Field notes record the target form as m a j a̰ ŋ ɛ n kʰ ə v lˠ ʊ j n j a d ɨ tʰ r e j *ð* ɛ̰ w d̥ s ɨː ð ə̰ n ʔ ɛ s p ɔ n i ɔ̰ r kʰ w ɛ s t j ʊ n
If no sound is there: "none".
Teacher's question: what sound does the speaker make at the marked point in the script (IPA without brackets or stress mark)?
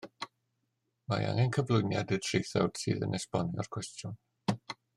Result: θ